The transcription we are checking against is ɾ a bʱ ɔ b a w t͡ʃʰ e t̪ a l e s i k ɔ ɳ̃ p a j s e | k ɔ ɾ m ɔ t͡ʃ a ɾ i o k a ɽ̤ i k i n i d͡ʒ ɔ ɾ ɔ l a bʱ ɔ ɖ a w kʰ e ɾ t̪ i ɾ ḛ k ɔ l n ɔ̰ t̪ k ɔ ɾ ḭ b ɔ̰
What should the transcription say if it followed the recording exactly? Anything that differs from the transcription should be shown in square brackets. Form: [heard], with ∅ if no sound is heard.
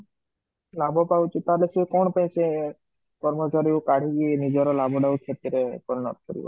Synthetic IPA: [l] a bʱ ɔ [p] a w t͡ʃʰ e t̪ a l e s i k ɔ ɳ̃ p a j s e | k ɔ ɾ m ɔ t͡ʃ a ɾ i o k a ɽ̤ i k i n i d͡ʒ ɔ ɾ ɔ l a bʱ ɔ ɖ a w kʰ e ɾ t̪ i ɾ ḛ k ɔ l n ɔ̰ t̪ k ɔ ɾ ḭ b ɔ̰